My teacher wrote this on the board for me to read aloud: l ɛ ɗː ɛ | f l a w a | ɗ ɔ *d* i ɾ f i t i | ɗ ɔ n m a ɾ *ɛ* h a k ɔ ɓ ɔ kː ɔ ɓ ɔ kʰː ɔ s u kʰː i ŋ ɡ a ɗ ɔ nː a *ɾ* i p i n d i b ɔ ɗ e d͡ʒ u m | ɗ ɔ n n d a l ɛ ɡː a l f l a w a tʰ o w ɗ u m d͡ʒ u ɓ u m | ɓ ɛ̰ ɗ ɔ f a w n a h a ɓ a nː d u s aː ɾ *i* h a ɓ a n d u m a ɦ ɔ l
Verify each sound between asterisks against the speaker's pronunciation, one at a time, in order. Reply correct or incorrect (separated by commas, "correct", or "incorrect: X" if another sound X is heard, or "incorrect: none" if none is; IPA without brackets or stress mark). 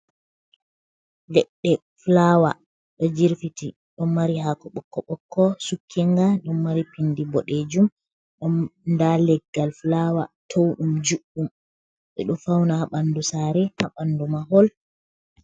incorrect: d͡ʒ, incorrect: i, correct, incorrect: ɛ